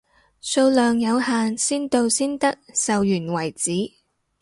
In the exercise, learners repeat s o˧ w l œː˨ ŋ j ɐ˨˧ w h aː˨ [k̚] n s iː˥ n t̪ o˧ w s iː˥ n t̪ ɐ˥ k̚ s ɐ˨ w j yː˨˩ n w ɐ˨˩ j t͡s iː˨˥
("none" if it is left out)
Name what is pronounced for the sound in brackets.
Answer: none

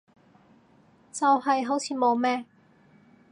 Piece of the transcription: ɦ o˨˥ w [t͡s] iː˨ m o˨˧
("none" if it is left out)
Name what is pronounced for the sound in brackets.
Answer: t͡sʰ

